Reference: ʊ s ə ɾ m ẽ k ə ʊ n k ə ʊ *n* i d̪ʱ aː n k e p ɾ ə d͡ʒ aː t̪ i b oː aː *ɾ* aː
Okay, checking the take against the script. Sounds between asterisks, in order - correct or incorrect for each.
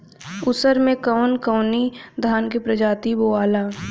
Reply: correct, incorrect: l

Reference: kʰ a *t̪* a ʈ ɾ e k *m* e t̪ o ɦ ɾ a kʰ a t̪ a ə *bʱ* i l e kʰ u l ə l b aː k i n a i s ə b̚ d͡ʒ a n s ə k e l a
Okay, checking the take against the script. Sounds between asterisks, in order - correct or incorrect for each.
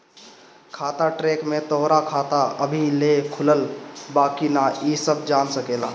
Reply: correct, correct, correct

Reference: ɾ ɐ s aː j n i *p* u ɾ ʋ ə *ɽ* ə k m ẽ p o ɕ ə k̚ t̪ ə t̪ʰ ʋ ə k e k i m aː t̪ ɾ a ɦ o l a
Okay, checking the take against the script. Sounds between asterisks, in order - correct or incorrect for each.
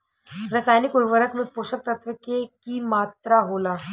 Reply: incorrect: k, incorrect: ɾ

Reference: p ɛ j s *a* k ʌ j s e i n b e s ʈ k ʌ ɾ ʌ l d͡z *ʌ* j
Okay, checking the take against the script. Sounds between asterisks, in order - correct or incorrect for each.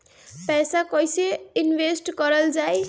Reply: correct, incorrect: a

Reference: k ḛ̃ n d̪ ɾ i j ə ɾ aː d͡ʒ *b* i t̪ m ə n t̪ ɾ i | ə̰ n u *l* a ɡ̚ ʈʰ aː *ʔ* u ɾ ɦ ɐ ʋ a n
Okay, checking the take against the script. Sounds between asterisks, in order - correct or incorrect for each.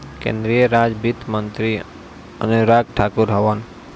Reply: correct, incorrect: ɾ, incorrect: k

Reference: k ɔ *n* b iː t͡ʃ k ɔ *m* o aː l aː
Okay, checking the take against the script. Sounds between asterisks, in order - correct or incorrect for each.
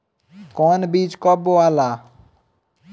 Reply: correct, incorrect: b

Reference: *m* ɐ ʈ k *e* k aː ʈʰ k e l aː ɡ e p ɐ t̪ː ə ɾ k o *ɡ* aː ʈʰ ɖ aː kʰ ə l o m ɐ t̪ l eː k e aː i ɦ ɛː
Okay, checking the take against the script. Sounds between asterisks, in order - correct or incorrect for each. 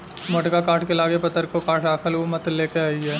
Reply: correct, incorrect: a, incorrect: k

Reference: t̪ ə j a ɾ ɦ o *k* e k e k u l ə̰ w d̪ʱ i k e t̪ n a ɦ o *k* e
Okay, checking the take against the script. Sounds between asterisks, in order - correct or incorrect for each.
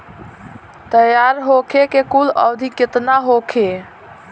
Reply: incorrect: kʰ, incorrect: kʰ

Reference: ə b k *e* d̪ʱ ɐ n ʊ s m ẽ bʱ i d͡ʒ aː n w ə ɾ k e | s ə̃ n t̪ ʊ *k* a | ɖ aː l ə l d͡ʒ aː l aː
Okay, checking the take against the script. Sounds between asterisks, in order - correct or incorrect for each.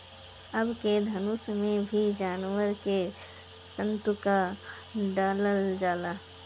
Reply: correct, correct

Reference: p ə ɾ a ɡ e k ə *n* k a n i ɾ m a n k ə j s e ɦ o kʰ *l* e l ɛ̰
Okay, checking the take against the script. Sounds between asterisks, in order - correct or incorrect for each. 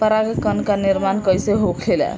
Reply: correct, correct

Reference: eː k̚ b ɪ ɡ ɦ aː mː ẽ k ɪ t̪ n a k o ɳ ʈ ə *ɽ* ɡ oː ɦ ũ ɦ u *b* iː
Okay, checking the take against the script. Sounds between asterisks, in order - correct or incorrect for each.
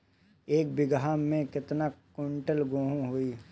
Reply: incorrect: l, incorrect: none

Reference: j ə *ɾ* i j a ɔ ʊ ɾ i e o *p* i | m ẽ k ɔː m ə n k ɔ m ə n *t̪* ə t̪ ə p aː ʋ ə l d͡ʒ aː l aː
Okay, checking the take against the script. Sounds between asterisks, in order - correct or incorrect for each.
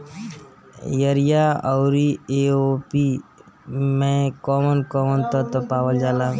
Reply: correct, correct, correct

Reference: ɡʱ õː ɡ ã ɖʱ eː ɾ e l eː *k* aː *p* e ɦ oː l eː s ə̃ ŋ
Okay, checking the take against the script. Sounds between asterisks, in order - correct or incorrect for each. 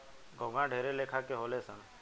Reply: incorrect: kʰ, incorrect: k

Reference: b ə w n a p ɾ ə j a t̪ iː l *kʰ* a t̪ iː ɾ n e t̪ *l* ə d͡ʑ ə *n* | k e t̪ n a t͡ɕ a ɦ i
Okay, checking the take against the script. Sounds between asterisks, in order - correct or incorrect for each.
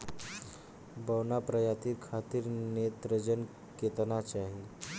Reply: correct, incorrect: ɾ, correct

